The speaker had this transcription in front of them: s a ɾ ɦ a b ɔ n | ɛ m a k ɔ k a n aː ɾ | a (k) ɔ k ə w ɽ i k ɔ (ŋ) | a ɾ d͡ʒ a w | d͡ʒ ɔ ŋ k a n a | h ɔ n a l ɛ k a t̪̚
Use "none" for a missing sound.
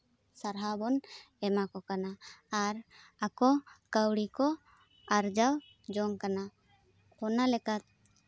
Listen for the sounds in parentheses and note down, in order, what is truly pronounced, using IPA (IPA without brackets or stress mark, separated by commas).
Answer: k, none